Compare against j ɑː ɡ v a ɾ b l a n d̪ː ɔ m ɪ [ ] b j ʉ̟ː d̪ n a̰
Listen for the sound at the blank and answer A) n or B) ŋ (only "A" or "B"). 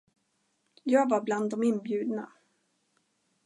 A